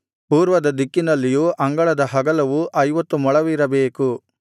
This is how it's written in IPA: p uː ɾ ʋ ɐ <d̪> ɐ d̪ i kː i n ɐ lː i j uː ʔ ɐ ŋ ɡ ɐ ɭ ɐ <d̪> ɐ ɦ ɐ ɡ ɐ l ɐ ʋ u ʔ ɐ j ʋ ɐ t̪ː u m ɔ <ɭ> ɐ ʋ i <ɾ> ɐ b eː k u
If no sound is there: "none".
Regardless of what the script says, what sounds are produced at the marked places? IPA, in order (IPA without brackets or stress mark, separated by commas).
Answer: d̪, d̪, ɭ, ɾ